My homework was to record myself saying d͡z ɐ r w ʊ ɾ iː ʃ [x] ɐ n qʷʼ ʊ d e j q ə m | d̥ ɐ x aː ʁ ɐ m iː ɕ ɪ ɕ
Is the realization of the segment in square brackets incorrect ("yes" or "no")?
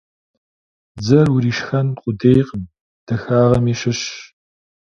no